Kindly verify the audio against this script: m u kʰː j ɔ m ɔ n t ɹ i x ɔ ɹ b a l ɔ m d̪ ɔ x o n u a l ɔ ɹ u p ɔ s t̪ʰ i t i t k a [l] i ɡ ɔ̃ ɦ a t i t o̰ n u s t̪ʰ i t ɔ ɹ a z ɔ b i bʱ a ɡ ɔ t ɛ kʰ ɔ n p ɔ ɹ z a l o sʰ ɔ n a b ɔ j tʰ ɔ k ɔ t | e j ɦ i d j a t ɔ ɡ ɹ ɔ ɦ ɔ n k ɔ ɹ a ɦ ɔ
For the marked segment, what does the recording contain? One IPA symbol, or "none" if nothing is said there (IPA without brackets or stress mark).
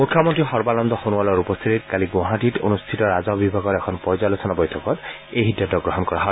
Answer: l